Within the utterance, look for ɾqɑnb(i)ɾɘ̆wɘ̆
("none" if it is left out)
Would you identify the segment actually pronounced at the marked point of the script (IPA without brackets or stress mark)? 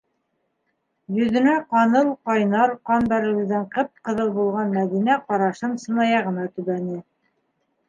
æ